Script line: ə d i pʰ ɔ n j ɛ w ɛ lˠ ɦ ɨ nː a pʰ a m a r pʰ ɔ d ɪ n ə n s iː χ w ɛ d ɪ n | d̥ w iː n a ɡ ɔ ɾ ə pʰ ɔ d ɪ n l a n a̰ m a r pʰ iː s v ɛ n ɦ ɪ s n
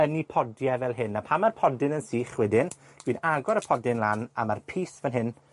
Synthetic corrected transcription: ə n i pʰ ɔ d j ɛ v ɛ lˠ ɦ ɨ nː a pʰ a m a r pʰ ɔ d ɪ n ə n s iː χ w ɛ d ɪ n | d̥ w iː n a ɡ ɔ ɾ ə pʰ ɔ d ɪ n l a n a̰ m a r pʰ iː s v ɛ n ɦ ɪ n